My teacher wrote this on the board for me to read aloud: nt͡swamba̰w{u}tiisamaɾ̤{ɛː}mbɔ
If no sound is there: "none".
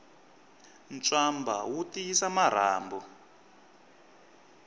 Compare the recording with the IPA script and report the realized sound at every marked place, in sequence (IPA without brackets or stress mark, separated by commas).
u, aː